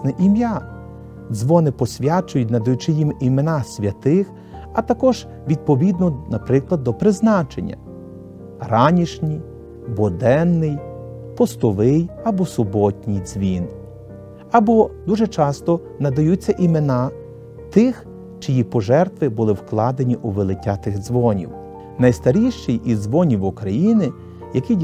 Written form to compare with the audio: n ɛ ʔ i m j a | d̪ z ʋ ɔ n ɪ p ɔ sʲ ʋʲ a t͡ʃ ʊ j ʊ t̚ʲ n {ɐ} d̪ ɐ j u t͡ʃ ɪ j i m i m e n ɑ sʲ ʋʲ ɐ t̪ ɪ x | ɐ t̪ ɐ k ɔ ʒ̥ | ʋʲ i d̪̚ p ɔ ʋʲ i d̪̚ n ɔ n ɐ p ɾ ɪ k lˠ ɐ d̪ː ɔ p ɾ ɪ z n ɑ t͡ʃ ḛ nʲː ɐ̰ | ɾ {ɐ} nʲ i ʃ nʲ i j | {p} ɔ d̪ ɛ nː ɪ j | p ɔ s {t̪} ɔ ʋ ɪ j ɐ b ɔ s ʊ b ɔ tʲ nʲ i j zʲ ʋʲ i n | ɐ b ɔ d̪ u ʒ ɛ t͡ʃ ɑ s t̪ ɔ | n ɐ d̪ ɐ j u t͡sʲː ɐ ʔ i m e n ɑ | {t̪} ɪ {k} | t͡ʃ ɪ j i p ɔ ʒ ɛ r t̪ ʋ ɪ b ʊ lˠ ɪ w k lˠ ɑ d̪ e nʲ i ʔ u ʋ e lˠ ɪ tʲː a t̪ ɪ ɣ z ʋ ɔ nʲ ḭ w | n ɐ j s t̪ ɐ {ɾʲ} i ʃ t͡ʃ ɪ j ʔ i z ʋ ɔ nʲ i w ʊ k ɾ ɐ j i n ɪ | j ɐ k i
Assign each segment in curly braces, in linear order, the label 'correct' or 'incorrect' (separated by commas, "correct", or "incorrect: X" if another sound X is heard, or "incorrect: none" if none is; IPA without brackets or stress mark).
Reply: correct, incorrect: ɑ, incorrect: b, correct, correct, incorrect: x, correct